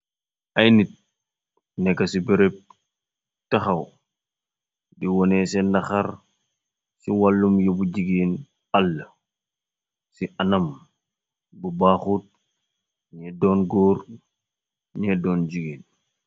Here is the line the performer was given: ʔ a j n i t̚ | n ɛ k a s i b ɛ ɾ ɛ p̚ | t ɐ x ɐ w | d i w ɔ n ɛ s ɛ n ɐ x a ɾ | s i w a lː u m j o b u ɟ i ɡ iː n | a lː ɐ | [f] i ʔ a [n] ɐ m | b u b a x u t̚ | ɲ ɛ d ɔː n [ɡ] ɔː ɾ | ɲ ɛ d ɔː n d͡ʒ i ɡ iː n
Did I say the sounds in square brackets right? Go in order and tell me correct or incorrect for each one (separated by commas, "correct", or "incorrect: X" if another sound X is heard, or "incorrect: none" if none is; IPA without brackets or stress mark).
incorrect: s, correct, correct